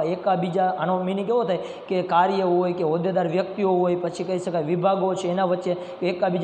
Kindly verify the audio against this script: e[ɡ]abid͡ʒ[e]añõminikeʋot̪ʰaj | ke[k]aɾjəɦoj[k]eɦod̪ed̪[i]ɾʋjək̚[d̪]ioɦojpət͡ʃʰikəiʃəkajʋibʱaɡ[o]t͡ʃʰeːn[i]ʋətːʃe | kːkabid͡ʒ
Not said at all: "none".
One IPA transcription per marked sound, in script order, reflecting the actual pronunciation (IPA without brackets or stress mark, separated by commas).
k, a, k, k, a, t̪, o, a